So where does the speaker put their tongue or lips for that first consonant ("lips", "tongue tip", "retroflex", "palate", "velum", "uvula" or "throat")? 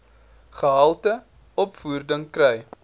uvula